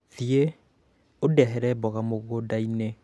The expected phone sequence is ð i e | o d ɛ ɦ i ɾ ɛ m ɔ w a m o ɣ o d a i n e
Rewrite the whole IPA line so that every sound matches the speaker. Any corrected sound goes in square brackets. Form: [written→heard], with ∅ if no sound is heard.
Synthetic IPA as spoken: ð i e | o d ɛ ɦ [i→ɛ] ɾ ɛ [m→b] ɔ [w→ɣ] a m o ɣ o d a i n e

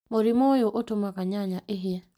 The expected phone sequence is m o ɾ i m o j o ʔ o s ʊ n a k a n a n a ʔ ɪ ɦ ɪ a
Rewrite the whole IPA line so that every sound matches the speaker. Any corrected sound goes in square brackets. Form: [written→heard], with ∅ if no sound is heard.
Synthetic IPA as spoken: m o ɾ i m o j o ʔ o [s→t] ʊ [n→m] a k a [n→ɲ] a [n→ɲ] a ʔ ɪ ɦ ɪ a

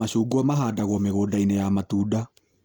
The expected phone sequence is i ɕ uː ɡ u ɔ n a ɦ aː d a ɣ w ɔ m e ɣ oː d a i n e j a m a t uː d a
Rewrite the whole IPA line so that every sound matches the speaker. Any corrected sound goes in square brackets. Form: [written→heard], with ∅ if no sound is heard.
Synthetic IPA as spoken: [i→a] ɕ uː ɡ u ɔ [n→m] a ɦ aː d a ɣ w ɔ m e ɣ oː d a i n e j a m a t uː d a

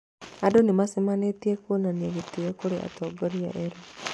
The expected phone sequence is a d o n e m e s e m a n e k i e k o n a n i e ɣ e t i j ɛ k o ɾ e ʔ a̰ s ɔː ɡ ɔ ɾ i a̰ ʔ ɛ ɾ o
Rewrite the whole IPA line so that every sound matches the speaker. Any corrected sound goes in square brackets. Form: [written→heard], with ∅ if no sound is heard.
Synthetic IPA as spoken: a d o n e m [e→a] s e m a n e [k→t] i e k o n a n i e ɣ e t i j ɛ k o ɾ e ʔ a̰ [s→t] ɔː ɡ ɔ ɾ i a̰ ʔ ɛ ɾ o

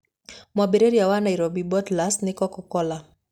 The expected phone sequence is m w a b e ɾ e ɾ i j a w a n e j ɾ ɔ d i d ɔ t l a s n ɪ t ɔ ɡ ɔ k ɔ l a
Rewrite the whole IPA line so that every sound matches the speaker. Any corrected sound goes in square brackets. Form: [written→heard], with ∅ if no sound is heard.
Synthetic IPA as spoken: m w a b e ɾ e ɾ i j a w a n [e→a] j ɾ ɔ [d→b] i [d→b] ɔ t l a s n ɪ [t→k] ɔ [ɡ→k] ɔ k ɔ l a

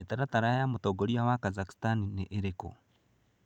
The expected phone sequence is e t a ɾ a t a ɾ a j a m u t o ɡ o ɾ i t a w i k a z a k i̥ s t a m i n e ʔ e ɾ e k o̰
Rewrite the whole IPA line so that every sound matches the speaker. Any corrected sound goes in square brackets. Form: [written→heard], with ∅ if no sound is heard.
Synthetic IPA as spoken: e t a ɾ a t a ɾ a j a m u t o ɡ o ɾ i [t→∅] a w [i→a] k a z a k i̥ s t a [m→n] i n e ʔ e ɾ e k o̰

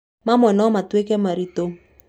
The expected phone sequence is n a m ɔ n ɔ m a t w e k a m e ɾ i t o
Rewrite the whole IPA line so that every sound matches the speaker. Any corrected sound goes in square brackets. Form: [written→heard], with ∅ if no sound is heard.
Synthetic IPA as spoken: [n→m] a m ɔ n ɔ m a t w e k [a→ɛ] m [e→a] ɾ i t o

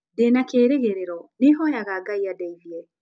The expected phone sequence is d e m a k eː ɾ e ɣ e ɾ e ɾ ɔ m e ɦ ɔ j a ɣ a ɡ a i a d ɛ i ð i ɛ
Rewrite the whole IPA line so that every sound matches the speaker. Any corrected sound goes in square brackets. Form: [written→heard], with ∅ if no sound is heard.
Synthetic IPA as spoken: d e [m→n] a k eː ɾ e ɣ e ɾ e ɾ ɔ [m→n] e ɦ ɔ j a ɣ a ɡ a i a d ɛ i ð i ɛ

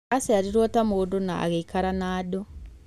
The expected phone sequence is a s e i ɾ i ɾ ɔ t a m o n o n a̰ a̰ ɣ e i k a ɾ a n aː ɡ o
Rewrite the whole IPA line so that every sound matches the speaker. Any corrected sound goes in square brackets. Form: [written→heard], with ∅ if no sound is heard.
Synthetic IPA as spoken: a s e [i→a] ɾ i ɾ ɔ t a m o [n→d] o n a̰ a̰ ɣ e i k a ɾ a n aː [ɡ→d] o

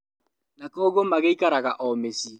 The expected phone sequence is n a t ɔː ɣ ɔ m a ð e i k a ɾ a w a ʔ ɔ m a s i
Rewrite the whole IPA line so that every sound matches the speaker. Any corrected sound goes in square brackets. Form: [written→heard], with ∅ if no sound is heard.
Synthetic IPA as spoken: n a [t→k] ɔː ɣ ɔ m a [ð→ɣ] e i k a ɾ a [w→ɣ] a ʔ ɔ m [a→e] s i

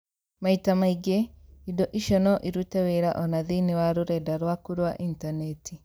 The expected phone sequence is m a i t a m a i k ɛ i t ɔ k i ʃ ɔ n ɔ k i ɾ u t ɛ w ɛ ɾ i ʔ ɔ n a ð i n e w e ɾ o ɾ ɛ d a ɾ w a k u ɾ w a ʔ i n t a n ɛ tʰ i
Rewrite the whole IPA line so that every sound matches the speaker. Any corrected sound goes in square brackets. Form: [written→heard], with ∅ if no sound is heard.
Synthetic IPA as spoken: m a i t a m a i [k→ɡ] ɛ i [t→d] ɔ [k→ʔ] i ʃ ɔ n ɔ [k→ʔ] i ɾ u t ɛ w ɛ ɾ [i→a] ʔ ɔ n a ð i n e w [e→a] ɾ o ɾ ɛ d a ɾ w a k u ɾ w a ʔ i n t a n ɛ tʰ i

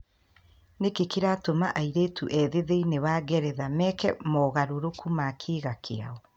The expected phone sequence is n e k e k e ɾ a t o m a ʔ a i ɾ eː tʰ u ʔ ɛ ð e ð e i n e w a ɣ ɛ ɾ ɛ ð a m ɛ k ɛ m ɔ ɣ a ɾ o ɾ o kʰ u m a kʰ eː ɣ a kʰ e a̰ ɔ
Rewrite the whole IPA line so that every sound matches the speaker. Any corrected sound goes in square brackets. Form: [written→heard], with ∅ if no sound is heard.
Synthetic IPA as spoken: n e k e k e ɾ a t o m a ʔ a i ɾ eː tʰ u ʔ ɛ ð e ð e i n e w a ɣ ɛ ɾ ɛ ð a m ɛ k ɛ m ɔ ɣ a ɾ o ɾ o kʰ u m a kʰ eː ɣ a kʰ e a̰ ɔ

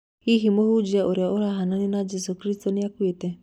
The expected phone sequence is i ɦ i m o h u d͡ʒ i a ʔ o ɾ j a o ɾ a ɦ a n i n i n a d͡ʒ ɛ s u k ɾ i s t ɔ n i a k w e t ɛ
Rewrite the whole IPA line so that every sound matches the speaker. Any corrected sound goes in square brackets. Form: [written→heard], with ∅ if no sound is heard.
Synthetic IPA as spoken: i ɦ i m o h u d͡ʒ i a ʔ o ɾ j a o ɾ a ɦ a n [i→a] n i n a d͡ʒ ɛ s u k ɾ i s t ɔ n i a k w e t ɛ

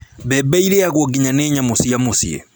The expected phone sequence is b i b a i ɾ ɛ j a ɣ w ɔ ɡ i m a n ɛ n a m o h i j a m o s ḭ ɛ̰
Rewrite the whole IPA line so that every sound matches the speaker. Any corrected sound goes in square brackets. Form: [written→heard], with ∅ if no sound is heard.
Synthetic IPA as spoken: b [i→ɛ] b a i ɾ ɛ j a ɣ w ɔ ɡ i [m→ɲ] a n ɛ [n→ɲ] a m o [h→s] i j a m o s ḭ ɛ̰

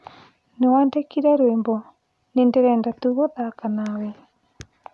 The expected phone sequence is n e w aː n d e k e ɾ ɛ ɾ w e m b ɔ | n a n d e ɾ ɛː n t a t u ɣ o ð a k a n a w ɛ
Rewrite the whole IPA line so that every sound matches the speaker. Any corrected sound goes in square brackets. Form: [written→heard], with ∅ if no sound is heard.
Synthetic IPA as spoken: n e w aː n d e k [e→i] ɾ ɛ ɾ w e m b ɔ | n [a→e] n d e ɾ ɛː n [t→d] a t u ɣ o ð a k a n a w ɛ

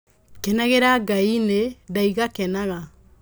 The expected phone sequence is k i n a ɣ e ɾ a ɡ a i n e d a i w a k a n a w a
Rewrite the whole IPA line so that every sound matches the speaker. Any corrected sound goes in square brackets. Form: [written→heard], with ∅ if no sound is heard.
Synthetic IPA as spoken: k [i→ɛ] n a ɣ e ɾ a ɡ a i n e d a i [w→ɣ] a k [a→ɛ] n a [w→ɣ] a

